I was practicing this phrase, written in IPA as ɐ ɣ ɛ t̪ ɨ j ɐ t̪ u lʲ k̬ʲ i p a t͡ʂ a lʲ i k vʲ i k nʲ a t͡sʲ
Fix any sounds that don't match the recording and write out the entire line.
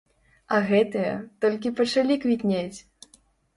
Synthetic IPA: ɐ ɣ ɛ t̪ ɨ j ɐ t̪ ɔ lʲ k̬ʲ i p ɐ t͡ʂ a lʲ i k vʲ i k nʲ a t͡sʲ